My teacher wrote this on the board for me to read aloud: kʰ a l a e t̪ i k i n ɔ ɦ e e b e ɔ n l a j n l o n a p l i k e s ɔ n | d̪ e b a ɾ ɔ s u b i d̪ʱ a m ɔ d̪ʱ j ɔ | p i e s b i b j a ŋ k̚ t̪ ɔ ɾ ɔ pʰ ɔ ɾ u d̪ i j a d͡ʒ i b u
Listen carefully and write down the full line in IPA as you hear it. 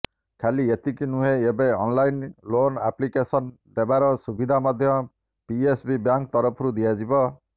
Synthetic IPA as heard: kʰ a l i e t̪ i k i n u ɦ e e b e ɔ n l a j n l o n a p l i k e s ɔ n | d̪ e b a ɾ ɔ s u b i d̪ʱ a m ɔ d̪ʱ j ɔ | p i e s b i b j a ŋ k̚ t̪ ɔ ɾ ɔ pʰ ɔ ɾ u d̪ i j a d͡ʒ i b ɔ